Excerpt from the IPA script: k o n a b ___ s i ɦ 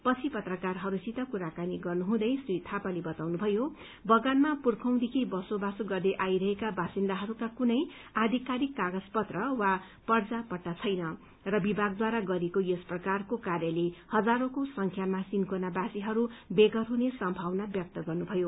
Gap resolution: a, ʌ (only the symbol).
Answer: a